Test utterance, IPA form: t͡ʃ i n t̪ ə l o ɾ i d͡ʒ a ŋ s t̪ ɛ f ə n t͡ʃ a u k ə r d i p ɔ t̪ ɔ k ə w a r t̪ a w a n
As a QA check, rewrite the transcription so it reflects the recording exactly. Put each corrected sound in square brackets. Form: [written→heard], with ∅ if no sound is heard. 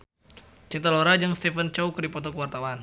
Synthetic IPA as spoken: t͡ʃ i n t̪ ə l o ɾ [i→a] d͡ʒ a ŋ s t̪ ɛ f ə n t͡ʃ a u k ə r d i p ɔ t̪ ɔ k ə w a r t̪ a w a n